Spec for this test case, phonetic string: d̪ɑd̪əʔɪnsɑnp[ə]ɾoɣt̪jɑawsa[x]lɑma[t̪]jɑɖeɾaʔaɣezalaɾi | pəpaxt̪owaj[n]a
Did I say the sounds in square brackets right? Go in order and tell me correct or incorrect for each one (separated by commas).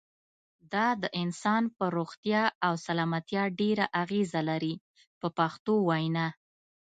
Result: correct, incorrect, correct, correct